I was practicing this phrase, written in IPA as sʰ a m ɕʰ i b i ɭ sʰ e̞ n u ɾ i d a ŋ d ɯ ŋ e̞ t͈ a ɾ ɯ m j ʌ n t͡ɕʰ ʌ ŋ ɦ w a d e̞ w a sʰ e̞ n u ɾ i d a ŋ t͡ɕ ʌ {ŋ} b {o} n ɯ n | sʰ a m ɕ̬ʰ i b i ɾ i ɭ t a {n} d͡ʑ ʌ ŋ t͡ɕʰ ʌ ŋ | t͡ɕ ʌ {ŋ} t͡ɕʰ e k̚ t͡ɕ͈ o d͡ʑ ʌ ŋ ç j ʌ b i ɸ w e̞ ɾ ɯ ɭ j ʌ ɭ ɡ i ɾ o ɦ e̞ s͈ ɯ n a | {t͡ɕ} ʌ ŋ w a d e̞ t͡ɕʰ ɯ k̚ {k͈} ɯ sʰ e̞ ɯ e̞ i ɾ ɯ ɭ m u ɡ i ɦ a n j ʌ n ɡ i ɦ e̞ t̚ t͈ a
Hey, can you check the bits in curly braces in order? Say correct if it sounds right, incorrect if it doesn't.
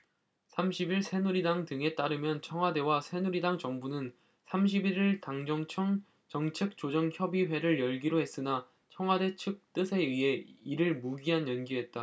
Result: correct, incorrect: u, incorrect: ŋ, correct, incorrect: t͡ɕʰ, incorrect: t͈

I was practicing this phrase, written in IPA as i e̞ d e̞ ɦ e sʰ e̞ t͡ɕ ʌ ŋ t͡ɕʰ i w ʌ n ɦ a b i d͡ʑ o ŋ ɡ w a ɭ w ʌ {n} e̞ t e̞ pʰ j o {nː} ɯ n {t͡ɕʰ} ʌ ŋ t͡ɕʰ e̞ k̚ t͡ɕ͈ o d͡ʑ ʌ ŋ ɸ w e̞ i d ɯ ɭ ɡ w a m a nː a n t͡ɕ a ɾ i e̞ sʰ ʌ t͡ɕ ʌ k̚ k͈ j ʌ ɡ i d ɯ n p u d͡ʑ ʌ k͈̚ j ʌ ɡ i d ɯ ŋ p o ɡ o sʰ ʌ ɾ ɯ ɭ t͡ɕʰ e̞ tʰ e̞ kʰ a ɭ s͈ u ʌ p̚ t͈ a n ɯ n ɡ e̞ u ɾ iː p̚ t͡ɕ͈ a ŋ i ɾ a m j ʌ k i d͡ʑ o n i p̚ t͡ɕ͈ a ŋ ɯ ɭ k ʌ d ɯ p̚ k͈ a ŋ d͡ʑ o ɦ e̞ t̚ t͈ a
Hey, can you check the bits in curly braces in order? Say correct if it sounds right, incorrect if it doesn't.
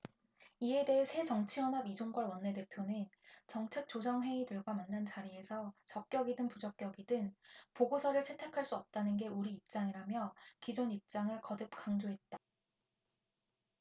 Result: incorrect: nː, incorrect: n, incorrect: t͡ɕ

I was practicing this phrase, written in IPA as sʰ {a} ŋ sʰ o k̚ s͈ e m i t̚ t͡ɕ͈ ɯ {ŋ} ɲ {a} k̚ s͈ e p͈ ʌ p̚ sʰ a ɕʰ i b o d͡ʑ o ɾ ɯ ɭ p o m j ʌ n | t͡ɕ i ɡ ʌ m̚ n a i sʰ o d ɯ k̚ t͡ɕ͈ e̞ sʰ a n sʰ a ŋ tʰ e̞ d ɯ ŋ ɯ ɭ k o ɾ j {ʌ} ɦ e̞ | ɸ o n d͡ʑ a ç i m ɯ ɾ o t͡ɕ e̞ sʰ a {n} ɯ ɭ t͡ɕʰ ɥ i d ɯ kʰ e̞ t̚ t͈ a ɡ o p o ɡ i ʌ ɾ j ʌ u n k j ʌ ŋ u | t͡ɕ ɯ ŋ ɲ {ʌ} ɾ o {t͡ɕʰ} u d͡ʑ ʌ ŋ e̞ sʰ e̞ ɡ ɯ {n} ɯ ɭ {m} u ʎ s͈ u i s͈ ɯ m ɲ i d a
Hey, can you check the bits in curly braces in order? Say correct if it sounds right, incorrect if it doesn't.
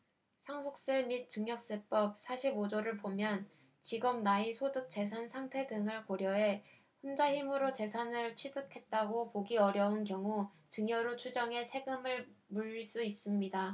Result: correct, correct, incorrect: ʌ, correct, correct, correct, correct, incorrect: m, correct

